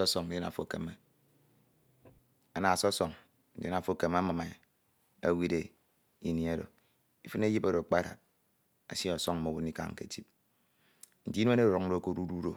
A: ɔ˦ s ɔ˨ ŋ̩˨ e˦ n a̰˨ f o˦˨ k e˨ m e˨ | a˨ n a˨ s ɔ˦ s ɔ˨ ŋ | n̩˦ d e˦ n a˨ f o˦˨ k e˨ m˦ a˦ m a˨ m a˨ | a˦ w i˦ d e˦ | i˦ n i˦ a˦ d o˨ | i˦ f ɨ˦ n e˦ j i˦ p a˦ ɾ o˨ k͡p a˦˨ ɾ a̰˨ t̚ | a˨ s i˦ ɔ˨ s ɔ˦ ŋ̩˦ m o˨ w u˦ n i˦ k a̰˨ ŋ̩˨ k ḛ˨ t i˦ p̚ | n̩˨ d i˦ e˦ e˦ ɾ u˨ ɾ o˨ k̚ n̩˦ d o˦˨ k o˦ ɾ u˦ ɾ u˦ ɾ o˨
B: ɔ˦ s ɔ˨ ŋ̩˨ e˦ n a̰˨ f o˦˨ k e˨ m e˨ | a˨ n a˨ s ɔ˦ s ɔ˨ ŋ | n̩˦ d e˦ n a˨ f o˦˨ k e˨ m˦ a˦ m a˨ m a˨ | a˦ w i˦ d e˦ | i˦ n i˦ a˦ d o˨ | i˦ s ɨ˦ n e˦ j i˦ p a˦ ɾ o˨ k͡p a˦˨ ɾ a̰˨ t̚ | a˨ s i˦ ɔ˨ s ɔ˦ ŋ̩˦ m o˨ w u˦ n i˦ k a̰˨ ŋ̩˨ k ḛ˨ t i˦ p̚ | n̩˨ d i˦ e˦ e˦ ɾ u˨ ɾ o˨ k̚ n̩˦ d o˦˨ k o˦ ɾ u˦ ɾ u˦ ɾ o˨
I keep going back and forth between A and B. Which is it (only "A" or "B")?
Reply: A